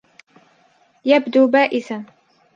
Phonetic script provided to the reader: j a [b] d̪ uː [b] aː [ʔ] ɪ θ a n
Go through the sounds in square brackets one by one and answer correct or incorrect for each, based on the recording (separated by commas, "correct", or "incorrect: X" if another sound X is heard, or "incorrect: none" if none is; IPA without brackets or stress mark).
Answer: correct, correct, correct